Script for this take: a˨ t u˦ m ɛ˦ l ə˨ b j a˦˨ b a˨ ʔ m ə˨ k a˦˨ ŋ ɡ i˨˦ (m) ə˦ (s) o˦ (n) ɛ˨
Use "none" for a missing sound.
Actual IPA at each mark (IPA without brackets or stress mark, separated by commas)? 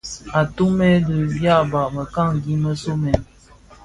m, s, m